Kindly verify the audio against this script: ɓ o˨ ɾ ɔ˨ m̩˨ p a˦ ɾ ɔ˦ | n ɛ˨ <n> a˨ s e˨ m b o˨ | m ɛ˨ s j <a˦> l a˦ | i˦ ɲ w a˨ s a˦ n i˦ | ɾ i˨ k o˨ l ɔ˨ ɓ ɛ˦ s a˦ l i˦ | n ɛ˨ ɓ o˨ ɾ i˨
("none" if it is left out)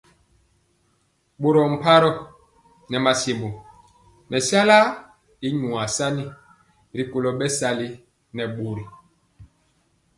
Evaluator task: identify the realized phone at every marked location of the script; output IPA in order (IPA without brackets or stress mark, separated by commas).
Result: m, a˦